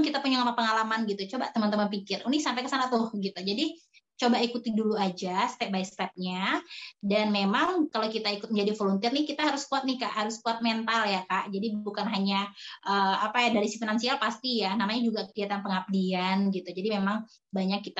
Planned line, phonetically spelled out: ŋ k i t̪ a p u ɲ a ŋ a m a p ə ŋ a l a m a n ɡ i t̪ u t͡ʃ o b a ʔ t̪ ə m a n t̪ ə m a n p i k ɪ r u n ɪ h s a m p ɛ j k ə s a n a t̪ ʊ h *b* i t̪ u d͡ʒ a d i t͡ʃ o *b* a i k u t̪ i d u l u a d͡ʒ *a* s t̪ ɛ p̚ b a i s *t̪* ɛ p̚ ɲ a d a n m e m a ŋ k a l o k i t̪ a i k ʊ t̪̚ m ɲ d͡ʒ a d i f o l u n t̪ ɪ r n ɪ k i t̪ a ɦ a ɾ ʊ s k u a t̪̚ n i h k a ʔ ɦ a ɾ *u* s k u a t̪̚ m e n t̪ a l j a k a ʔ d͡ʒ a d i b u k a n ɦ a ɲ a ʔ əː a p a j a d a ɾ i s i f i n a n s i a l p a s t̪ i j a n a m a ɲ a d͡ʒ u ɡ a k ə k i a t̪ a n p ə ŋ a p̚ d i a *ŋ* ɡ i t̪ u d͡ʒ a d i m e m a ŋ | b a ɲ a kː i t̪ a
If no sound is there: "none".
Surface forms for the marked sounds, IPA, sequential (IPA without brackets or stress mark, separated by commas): ɡ, b, a, t̪, ʊ, n